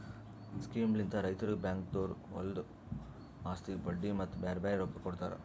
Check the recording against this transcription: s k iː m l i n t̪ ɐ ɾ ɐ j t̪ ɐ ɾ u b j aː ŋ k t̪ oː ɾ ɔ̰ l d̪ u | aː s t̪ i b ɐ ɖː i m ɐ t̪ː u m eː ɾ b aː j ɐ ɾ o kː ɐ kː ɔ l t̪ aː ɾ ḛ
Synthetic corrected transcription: s k iː m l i n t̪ ɐ ɾ ɐ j t̪ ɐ ɾ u b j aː ŋ k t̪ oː ɾ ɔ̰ l d̪ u | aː s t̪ i b ɐ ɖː i m ɐ t̪ː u b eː ɾ b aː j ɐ ɾ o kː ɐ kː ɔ ɽ t̪ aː ɾ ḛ